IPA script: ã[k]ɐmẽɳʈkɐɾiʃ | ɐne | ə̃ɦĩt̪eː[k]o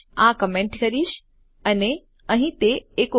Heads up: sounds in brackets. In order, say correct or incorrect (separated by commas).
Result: correct, correct